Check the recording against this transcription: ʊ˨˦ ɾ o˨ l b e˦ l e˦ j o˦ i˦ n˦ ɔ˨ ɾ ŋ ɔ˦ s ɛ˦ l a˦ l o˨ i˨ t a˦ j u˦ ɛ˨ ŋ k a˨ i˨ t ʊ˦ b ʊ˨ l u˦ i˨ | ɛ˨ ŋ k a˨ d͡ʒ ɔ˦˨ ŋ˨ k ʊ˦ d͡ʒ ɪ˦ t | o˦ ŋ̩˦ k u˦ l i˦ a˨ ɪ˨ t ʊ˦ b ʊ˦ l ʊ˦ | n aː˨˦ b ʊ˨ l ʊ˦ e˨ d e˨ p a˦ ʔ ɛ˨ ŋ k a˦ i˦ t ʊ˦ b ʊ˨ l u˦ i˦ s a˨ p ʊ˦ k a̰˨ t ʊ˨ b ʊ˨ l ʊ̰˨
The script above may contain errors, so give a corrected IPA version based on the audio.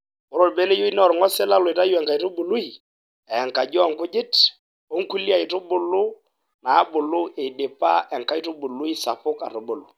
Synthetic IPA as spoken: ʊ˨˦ ɾ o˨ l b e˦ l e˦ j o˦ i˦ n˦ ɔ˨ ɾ ŋ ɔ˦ s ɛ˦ l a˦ l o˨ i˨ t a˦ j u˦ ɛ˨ ŋ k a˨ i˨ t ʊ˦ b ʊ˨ l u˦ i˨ | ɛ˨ ŋ k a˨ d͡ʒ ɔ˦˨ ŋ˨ k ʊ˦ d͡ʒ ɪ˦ t | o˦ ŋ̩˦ k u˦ l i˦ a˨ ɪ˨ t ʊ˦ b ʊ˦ l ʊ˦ | n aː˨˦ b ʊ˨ l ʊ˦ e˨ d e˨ p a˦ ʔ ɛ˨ ŋ k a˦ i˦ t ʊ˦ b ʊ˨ l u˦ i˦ s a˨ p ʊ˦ k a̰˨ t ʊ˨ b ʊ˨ l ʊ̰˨